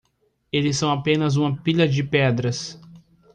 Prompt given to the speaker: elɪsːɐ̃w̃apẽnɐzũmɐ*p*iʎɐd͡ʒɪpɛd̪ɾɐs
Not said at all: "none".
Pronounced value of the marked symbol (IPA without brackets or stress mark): p